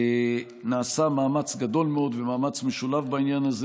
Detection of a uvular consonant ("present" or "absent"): absent